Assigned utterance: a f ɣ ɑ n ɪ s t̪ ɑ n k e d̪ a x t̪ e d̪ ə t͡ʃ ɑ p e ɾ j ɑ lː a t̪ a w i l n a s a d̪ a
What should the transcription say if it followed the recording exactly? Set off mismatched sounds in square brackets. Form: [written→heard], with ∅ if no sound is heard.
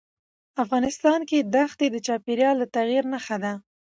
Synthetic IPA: a f ɣ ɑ n ɪ s t̪ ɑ n k e d̪ a x t̪ e d̪ ə t͡ʃ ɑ p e ɾ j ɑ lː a t̪ a [w→ɣ] i [l→ɾ] n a [s→x] a d̪ a